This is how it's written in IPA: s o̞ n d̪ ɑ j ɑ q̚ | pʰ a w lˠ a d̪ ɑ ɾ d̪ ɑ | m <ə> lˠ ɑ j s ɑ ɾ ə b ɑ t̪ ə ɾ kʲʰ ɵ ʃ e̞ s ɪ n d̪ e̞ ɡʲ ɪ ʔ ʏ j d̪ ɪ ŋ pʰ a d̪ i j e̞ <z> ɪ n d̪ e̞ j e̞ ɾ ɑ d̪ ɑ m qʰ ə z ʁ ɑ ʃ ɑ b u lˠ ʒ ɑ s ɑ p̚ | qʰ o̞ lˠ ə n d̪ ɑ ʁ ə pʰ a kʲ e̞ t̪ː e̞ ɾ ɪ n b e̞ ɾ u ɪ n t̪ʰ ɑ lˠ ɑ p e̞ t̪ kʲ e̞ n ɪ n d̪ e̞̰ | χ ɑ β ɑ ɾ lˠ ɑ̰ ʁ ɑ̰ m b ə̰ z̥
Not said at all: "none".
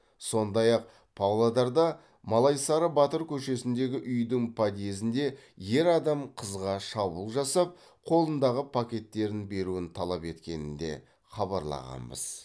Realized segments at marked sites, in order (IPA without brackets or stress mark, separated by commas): ɑ, z